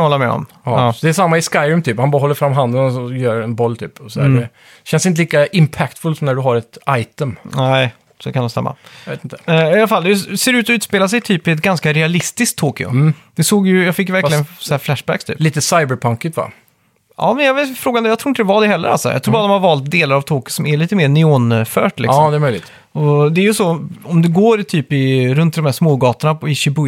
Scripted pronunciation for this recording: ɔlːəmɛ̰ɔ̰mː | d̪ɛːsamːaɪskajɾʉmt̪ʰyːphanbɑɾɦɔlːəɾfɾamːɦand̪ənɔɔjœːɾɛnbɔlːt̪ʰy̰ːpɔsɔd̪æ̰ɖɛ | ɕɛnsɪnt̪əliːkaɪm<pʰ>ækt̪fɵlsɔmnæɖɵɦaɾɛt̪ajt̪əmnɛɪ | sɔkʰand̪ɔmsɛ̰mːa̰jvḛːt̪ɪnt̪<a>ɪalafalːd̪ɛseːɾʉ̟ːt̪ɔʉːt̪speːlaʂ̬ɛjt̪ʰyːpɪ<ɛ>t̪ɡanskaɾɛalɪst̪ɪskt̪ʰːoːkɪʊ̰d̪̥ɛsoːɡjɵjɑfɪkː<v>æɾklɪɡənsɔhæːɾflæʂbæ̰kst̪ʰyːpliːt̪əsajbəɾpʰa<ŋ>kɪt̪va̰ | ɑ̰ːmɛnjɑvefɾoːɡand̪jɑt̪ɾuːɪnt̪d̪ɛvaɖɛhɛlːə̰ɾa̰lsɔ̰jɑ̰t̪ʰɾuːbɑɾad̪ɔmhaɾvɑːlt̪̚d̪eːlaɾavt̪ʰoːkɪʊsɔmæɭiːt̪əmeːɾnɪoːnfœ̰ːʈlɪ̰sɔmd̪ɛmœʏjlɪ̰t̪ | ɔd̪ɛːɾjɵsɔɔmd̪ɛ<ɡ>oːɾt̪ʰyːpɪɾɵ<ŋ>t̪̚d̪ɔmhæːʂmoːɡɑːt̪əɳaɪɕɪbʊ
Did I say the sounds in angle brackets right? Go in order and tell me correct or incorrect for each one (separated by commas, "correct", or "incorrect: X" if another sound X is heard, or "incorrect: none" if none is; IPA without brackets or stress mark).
correct, incorrect: ə, correct, correct, correct, correct, incorrect: n